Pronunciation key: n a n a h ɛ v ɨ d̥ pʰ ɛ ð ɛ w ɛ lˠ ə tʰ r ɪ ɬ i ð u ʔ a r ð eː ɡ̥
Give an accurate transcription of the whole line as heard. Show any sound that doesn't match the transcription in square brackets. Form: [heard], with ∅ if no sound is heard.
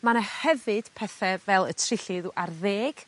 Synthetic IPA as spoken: [m] a n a h ɛ v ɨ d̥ pʰ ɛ [θ] ɛ [v] ɛ lˠ ə tʰ r ɪ ɬ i ð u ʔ a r ð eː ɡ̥